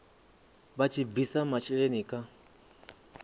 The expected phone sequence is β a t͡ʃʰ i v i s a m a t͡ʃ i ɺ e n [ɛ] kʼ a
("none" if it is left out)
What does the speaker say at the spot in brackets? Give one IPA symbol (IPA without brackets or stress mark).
i